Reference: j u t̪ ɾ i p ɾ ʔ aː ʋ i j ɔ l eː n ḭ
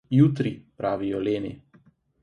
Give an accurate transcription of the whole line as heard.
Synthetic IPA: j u t̪ ɾ i p ɾ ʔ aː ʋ i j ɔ l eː n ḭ